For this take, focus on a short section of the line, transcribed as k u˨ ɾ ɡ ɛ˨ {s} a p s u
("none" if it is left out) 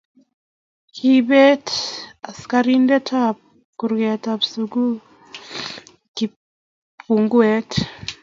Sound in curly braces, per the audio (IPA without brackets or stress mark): t